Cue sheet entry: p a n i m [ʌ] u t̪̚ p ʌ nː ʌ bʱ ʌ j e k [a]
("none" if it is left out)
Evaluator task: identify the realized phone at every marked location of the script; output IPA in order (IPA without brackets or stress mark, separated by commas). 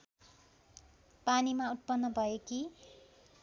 a, i